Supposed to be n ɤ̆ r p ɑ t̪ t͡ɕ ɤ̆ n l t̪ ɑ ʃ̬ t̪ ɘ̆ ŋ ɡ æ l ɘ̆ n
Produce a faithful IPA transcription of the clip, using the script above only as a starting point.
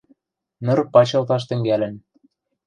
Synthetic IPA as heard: n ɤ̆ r p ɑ t͡ɕ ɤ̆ l t̪ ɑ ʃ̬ t̪ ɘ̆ ŋ ɡ æ l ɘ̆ n